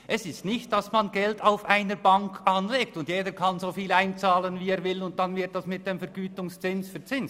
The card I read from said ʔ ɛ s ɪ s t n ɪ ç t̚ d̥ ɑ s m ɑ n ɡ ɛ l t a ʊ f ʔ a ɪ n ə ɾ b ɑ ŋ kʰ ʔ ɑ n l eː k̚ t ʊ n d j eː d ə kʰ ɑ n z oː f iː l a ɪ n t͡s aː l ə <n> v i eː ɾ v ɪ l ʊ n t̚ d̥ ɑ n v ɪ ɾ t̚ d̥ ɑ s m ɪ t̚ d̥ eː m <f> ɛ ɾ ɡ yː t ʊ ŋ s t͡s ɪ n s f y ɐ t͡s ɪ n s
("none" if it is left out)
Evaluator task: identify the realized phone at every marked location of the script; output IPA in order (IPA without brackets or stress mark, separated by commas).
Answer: n, f